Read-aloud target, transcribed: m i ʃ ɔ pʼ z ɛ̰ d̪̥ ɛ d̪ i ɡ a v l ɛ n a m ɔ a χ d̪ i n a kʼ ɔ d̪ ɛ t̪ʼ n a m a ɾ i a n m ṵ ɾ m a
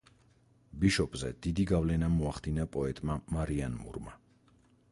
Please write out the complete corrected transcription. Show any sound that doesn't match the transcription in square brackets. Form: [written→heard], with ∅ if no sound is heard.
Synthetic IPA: [m→b] i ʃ ɔ pʼ z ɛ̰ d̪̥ [ɛ→i] d̪ i ɡ a v l ɛ n a m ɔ a χ d̪ i n a [kʼ→pʼ] ɔ [d̪→∅] ɛ t̪ʼ [n→m] a m a ɾ i a n m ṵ ɾ m a